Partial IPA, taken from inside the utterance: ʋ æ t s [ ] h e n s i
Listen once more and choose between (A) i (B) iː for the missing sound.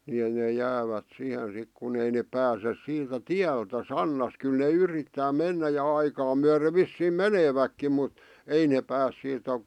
A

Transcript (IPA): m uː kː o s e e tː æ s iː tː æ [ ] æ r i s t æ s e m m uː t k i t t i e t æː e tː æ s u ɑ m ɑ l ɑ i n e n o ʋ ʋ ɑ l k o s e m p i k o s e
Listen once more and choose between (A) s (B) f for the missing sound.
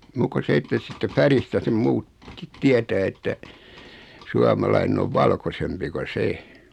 B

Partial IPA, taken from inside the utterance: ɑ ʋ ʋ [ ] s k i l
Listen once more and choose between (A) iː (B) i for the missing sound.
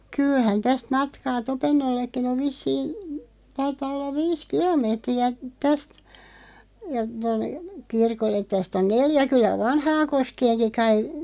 A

